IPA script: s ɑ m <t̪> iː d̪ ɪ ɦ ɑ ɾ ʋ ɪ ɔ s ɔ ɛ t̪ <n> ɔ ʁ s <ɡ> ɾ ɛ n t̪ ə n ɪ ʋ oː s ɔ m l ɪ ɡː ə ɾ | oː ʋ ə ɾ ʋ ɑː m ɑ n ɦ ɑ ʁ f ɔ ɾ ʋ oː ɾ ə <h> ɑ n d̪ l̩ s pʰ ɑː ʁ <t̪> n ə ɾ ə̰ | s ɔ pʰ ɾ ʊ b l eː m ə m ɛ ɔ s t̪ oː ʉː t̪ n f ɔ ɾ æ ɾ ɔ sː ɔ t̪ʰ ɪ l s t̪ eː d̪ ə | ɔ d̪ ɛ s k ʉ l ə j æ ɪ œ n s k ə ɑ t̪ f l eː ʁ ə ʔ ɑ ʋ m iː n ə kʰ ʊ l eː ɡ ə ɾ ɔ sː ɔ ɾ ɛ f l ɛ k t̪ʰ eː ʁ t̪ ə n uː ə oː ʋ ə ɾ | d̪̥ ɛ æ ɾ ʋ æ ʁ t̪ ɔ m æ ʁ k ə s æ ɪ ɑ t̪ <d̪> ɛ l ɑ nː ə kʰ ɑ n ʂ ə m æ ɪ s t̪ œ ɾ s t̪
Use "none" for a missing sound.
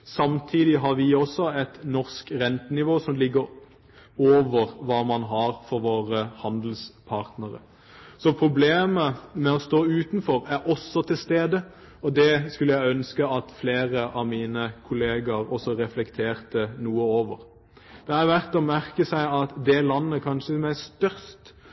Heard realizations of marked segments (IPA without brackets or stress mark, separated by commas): t̪ʰ, n, k, h, t̪, d̪